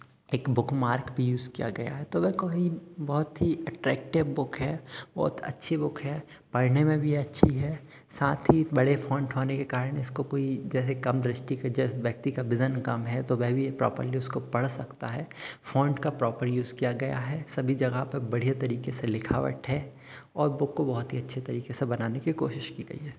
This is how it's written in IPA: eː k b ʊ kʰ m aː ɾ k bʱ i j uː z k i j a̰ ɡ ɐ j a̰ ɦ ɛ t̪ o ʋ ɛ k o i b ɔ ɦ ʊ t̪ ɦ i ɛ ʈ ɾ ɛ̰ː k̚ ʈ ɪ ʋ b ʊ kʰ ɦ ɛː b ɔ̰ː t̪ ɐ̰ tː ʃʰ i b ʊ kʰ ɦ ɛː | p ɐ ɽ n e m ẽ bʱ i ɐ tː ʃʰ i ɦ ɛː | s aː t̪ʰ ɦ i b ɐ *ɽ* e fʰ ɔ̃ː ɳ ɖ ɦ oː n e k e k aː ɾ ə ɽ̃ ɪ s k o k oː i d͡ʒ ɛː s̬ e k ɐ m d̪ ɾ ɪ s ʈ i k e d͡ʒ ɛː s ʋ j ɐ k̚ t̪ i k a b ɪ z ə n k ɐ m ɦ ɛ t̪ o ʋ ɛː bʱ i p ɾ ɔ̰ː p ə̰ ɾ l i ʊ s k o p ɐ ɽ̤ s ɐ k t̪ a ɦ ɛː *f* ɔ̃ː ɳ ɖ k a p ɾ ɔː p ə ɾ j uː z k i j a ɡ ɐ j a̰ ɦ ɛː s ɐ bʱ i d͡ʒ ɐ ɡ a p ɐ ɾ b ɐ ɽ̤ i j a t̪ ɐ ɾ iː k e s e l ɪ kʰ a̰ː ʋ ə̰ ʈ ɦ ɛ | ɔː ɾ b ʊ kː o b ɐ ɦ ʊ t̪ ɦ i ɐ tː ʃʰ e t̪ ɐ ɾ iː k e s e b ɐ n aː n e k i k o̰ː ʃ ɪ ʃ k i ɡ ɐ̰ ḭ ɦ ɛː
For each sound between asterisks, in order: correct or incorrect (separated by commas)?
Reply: correct, correct